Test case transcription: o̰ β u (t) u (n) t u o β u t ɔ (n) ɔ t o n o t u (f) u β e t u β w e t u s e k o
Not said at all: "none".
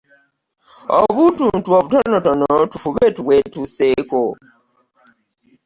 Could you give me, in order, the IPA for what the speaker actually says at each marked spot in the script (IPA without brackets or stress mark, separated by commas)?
t, n, n, f